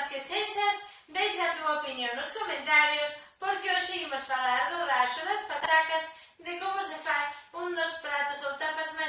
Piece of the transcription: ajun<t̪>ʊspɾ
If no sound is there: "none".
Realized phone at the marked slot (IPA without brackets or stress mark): d̪